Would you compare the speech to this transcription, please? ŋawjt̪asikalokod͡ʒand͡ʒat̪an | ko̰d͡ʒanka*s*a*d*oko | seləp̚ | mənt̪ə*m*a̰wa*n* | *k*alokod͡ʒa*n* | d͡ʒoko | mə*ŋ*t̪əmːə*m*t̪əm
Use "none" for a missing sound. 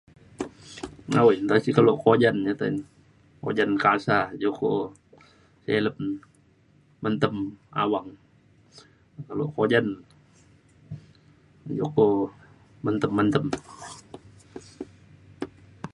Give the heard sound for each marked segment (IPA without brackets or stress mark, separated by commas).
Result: s, d͡ʒ, m, ŋ, k, n, n, n